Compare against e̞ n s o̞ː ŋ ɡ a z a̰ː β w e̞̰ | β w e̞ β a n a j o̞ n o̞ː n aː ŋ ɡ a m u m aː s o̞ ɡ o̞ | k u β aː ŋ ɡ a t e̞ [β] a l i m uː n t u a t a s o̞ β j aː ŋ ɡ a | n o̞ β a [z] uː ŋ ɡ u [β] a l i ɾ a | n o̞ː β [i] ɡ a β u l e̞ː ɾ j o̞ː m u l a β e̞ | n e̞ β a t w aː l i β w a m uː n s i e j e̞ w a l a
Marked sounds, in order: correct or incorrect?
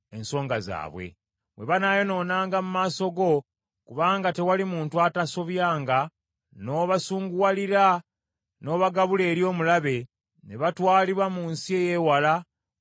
incorrect: w, incorrect: s, incorrect: w, incorrect: a

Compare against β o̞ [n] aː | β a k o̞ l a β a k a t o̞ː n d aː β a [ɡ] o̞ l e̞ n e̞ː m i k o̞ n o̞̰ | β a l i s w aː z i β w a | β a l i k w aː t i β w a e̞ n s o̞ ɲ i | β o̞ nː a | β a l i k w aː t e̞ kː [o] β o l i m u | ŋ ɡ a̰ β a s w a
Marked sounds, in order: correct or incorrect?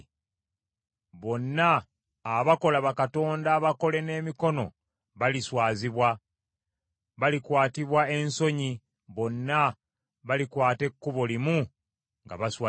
incorrect: nː, incorrect: k, incorrect: u

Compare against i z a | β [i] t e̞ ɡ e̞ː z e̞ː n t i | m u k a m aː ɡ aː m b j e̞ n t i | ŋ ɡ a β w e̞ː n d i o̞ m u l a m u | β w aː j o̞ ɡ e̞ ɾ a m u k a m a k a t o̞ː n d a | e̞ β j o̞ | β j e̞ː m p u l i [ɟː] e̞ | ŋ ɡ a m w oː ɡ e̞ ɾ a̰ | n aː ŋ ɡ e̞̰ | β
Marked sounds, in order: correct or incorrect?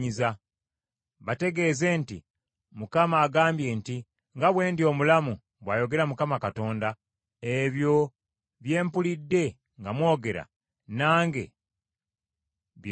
incorrect: a, incorrect: dː

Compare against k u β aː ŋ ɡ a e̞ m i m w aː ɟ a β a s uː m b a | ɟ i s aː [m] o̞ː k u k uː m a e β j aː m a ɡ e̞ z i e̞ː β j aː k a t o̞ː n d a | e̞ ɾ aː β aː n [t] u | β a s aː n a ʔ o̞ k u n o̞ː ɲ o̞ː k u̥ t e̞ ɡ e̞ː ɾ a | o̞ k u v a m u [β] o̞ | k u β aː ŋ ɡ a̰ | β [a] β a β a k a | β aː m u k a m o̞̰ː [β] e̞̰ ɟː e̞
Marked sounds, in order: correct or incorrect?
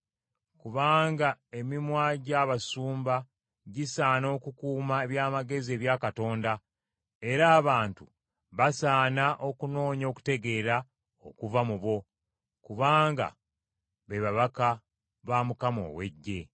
incorrect: n, correct, correct, incorrect: e, incorrect: w

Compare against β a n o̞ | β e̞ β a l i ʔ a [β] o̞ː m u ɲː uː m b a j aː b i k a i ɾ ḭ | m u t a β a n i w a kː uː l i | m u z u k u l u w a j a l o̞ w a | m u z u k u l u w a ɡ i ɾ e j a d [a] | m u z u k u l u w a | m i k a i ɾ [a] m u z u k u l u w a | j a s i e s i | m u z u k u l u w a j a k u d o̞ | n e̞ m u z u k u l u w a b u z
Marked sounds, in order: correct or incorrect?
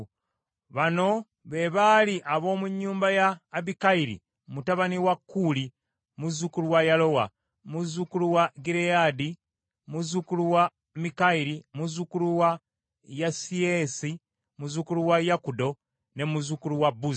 correct, incorrect: i, incorrect: i

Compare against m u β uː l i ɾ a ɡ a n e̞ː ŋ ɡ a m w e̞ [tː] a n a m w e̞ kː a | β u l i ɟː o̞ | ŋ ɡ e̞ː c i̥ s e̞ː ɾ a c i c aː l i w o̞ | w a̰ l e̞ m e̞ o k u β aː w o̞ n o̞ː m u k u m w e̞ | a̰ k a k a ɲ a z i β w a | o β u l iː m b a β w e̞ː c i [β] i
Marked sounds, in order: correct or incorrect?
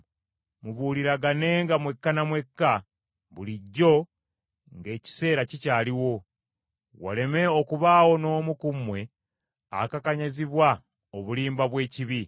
incorrect: kː, correct

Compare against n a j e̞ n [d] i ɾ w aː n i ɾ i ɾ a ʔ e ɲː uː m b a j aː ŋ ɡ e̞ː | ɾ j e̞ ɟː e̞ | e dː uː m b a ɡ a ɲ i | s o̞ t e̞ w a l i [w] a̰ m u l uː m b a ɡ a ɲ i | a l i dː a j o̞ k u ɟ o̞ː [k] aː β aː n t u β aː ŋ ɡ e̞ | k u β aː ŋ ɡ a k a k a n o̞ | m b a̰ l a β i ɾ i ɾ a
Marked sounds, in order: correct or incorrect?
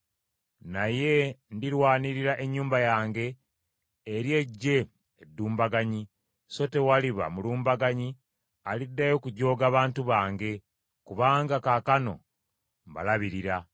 correct, incorrect: β, incorrect: ɡ

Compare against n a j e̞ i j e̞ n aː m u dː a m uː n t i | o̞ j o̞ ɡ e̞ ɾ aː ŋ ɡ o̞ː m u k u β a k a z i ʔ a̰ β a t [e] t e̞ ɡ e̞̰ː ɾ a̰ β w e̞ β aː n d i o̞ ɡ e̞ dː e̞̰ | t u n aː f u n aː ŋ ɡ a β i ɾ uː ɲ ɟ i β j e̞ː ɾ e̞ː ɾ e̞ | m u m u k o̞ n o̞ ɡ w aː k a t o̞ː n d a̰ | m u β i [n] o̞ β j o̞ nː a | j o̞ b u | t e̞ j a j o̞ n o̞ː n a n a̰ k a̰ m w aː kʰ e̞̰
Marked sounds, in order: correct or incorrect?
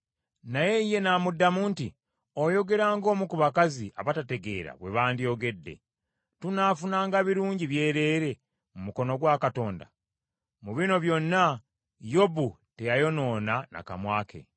incorrect: a, correct

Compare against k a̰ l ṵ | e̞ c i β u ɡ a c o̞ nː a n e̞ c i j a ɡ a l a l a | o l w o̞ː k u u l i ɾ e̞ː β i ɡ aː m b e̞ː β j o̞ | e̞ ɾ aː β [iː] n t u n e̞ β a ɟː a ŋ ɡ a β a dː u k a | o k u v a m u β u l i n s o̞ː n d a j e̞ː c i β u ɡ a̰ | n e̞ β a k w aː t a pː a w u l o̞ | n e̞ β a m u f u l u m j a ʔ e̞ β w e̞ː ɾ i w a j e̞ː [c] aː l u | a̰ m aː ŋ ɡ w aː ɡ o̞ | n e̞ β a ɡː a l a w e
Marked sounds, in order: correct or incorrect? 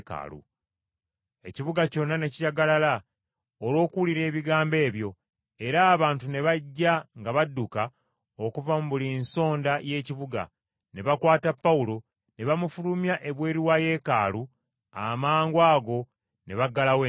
incorrect: aː, incorrect: k

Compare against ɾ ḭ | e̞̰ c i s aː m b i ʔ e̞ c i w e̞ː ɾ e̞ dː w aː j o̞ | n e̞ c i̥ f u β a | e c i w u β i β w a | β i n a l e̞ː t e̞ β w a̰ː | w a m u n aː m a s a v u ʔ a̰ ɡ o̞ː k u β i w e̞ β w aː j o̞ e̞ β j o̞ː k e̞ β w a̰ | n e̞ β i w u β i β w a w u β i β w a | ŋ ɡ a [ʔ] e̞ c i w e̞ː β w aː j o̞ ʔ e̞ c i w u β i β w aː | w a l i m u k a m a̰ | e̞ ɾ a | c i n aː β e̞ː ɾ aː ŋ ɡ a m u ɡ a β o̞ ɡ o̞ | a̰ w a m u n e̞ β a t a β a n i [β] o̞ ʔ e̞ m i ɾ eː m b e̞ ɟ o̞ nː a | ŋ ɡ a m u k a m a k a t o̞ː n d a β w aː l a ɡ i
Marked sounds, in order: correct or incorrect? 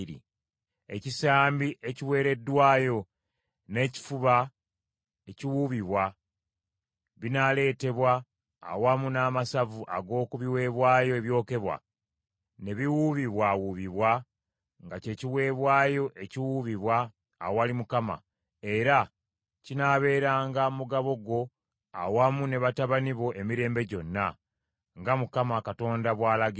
incorrect: c, correct

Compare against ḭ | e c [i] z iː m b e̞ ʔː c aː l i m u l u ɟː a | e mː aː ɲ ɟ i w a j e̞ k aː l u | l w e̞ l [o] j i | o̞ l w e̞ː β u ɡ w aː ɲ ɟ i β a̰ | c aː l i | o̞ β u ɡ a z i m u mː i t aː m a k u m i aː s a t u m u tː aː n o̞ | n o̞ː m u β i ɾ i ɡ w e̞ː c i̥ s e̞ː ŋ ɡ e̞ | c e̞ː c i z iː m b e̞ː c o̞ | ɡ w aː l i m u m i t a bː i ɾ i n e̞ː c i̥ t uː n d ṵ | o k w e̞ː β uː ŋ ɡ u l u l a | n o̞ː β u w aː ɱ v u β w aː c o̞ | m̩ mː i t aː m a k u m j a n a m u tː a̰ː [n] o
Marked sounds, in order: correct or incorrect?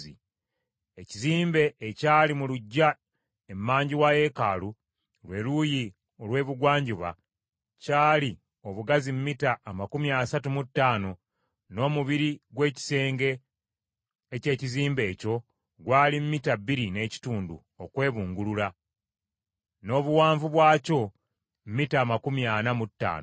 correct, incorrect: u, correct

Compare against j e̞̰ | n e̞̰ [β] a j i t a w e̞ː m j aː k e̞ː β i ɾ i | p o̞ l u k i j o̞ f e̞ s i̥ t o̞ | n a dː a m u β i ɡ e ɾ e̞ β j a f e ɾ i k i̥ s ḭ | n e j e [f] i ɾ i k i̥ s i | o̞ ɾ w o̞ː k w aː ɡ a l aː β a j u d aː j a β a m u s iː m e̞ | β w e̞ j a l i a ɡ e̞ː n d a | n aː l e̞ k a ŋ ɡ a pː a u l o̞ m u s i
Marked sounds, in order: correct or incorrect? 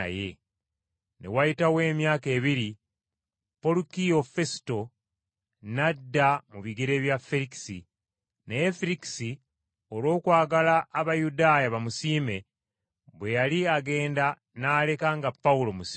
incorrect: w, correct

